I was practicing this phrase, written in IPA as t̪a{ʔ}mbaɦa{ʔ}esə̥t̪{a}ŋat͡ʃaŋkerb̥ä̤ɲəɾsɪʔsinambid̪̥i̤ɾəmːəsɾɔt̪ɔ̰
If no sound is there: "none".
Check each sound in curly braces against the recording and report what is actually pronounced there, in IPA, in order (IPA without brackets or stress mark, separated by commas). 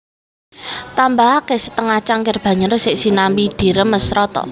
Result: none, k, ə